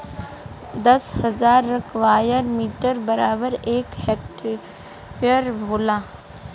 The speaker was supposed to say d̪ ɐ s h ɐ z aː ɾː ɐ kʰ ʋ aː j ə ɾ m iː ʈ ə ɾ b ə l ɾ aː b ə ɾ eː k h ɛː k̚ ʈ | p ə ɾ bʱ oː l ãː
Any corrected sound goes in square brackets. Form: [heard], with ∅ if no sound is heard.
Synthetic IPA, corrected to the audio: d̪ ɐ s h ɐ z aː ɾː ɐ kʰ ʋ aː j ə ɾ m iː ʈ ə ɾ b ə [∅] ɾ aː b ə ɾ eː k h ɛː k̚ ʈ | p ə ɾ bʱ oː l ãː